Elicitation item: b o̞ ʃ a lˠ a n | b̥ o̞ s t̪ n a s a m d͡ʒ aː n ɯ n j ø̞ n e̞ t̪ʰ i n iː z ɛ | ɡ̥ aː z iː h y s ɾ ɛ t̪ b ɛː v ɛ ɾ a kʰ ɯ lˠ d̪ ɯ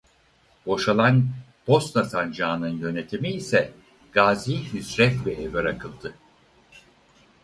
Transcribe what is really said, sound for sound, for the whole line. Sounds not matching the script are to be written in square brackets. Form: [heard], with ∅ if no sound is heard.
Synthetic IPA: b o̞ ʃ a lˠ a n | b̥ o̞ s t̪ n a s a [n] d͡ʒ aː n ɯ n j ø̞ n e̞ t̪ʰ i [m] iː [s] ɛ | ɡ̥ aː z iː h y s ɾ ɛ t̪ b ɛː v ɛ ɾ a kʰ ɯ lˠ d̪ ɯ